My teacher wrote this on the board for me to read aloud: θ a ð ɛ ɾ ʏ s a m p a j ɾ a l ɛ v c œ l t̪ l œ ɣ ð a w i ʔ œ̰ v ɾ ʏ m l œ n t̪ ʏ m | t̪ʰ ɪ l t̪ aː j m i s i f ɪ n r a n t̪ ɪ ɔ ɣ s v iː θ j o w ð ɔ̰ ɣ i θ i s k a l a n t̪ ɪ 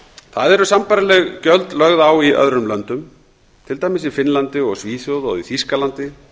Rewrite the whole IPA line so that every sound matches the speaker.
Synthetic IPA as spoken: θ a ð ɛ ɾ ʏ s a m p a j ɾ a l ɛ ɣ c œ l t̪ l œ ɣ ð a w i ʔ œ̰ ð ɾ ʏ m l œ n t̪ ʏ m | t̪ʰ ɪ l t̪ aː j m ɪ s i f ɪ n l a n t̪ ɪ ɔ ɣ s v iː θ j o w ð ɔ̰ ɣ i θ i s k a l a n t̪ ɪ